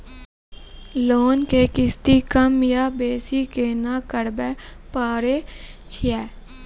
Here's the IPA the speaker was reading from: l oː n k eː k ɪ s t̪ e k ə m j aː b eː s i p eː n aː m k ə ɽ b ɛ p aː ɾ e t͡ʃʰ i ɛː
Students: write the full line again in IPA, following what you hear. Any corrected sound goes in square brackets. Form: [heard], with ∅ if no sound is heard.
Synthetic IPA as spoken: l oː n k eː k ɪ s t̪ [i] k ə m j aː b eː s i [k] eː n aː [∅] k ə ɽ b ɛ p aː ɾ e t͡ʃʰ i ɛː